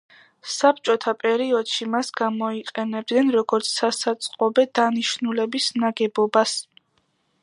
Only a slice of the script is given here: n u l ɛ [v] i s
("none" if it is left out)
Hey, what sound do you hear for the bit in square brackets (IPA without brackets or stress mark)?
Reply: b